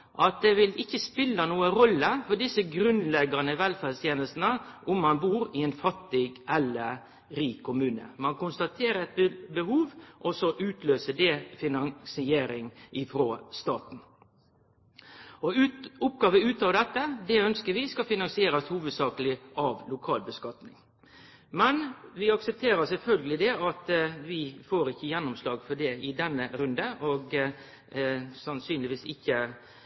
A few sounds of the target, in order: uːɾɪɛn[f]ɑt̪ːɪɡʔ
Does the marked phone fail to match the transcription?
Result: no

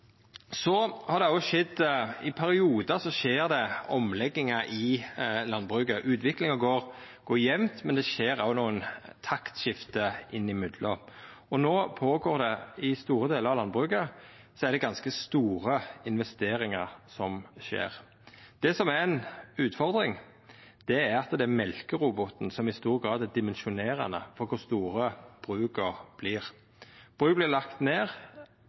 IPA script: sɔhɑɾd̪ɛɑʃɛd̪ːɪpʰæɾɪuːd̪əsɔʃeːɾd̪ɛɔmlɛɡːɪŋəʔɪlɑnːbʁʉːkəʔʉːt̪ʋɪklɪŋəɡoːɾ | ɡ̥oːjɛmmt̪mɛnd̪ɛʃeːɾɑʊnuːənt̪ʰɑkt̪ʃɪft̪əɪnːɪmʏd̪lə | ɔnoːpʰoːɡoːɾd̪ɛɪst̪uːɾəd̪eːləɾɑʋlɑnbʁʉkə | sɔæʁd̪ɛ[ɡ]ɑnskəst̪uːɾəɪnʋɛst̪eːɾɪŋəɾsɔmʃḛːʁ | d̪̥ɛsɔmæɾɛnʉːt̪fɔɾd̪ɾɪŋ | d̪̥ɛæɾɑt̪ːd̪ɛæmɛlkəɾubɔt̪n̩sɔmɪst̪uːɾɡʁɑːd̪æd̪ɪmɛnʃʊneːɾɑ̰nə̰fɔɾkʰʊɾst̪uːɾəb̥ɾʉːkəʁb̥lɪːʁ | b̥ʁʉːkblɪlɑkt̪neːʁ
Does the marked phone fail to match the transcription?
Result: no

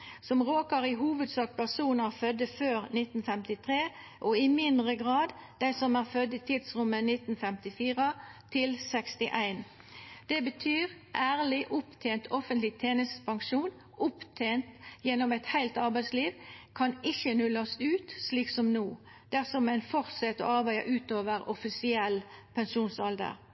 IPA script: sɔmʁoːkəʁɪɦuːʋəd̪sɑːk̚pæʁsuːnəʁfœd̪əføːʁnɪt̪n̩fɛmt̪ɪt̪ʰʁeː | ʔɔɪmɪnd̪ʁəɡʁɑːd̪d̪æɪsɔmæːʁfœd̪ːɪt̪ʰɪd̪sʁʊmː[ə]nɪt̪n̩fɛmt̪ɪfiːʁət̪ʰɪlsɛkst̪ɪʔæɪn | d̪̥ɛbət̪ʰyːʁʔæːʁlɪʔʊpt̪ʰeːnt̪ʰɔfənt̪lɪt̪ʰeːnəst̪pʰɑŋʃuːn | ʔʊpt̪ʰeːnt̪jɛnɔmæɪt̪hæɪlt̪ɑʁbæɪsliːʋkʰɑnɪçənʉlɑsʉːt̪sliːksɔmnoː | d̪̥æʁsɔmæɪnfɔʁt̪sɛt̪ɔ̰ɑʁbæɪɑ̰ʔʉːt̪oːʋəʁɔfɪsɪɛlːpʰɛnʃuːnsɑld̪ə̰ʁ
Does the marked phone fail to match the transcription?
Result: no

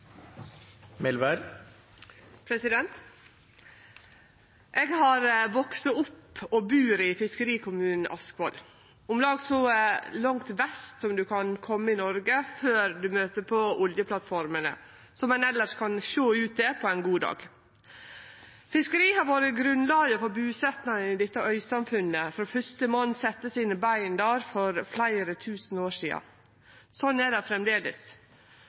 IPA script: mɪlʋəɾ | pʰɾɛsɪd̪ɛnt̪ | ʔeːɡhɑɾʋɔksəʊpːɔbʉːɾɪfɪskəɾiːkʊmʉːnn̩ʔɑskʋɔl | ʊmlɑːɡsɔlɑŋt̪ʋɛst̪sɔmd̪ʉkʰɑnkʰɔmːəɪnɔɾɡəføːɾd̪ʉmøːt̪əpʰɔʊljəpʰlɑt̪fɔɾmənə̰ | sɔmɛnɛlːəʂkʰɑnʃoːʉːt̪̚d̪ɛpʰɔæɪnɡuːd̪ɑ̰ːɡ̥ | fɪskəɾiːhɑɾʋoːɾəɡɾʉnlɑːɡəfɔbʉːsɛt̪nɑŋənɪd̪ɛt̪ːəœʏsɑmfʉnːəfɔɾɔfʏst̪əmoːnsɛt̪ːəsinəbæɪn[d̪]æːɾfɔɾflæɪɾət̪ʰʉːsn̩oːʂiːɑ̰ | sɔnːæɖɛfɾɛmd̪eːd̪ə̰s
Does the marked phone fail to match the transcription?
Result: no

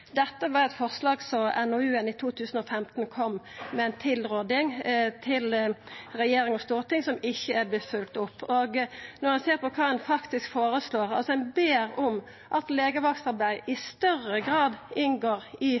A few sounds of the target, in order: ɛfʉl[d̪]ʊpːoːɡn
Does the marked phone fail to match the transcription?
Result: yes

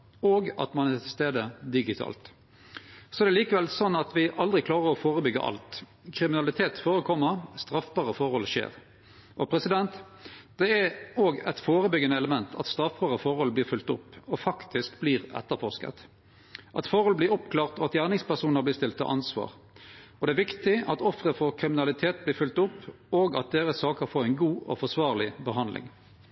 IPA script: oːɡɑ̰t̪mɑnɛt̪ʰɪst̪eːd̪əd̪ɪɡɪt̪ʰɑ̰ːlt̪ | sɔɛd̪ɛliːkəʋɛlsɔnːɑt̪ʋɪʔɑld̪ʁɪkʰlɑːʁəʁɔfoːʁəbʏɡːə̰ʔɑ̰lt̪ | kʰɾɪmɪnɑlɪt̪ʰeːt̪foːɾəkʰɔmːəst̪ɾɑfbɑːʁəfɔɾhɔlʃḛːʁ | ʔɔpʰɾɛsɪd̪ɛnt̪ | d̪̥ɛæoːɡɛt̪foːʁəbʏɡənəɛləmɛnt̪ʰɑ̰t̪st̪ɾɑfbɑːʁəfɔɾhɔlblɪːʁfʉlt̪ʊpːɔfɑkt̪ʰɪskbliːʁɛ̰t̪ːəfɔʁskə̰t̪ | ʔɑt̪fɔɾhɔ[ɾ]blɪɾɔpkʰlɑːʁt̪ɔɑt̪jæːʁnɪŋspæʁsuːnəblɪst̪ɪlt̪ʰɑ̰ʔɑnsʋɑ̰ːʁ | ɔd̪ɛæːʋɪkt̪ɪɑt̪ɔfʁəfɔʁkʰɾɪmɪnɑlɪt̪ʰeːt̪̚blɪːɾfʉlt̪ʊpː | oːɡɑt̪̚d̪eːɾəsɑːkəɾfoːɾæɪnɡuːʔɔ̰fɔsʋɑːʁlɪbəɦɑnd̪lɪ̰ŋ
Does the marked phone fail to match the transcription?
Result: yes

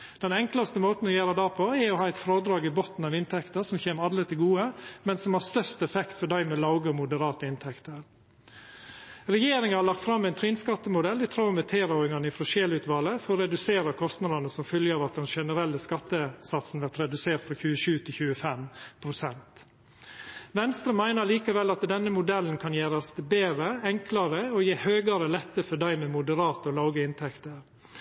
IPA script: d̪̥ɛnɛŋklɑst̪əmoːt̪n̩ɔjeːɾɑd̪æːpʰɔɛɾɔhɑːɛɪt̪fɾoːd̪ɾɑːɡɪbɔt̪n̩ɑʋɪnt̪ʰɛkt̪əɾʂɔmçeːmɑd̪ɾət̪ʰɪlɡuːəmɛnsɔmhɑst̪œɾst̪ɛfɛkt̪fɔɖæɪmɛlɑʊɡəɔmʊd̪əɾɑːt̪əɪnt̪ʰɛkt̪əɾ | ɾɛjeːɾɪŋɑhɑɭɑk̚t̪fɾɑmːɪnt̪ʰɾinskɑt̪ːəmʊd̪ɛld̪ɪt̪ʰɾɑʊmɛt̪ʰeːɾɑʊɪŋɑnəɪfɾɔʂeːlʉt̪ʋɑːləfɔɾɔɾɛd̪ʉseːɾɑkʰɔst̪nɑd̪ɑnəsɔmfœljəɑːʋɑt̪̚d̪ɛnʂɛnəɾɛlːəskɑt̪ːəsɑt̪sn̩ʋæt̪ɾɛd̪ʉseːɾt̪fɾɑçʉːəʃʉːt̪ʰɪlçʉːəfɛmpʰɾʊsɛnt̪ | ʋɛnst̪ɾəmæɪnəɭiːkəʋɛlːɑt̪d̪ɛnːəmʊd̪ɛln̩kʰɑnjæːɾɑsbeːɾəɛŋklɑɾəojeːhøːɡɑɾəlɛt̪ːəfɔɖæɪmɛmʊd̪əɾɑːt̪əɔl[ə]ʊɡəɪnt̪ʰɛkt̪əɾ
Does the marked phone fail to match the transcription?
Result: yes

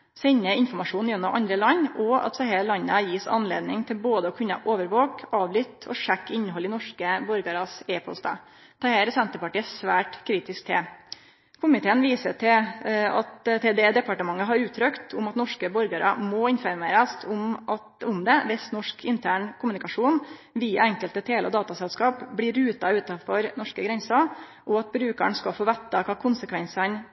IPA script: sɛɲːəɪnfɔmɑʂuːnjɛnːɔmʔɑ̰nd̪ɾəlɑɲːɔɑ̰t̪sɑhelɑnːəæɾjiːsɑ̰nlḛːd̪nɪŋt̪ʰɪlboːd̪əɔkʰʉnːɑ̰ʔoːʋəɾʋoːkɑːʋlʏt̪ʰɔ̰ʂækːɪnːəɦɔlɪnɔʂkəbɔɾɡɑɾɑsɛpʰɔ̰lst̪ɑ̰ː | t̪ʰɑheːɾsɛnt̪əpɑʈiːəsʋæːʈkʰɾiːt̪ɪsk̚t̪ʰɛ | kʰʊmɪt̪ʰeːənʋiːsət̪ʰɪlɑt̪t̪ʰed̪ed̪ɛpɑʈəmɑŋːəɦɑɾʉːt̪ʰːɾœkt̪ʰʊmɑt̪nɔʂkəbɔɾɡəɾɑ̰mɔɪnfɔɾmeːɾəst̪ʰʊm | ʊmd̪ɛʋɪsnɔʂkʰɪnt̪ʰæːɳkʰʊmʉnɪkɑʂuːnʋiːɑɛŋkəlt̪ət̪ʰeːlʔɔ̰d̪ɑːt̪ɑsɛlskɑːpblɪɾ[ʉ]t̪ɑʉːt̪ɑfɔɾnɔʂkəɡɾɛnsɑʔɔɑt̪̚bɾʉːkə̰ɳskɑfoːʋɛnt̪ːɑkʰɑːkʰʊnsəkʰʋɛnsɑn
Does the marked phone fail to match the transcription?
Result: yes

